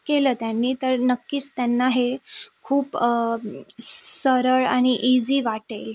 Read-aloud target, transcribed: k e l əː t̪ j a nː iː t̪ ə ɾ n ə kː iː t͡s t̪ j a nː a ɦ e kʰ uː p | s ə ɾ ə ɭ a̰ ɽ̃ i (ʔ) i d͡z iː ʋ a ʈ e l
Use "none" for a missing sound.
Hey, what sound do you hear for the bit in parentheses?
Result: ʔ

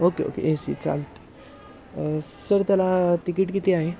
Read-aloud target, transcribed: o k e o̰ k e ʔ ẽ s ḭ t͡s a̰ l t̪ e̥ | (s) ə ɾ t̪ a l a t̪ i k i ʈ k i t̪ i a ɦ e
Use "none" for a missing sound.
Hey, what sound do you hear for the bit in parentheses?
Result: s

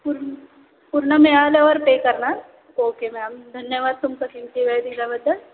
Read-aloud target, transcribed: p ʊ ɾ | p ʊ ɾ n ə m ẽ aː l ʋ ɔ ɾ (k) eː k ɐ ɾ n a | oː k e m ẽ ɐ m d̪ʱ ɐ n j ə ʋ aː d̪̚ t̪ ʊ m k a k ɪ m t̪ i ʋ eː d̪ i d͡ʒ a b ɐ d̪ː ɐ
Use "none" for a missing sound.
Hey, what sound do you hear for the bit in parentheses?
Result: p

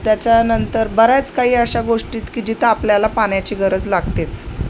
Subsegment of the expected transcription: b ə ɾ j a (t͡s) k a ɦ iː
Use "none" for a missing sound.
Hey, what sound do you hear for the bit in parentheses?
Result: t͡s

